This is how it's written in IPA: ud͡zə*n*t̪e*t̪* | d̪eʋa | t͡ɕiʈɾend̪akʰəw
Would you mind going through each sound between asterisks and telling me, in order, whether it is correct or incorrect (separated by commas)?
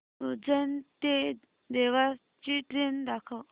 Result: correct, incorrect